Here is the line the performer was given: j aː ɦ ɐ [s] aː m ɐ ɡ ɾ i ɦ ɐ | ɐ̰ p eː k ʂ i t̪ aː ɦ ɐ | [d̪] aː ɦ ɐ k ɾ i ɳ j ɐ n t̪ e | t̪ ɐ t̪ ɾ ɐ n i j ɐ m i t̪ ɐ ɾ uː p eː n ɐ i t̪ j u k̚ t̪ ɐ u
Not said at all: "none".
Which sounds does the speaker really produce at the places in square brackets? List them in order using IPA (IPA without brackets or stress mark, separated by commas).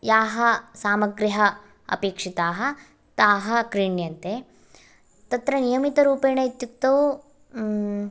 s, t̪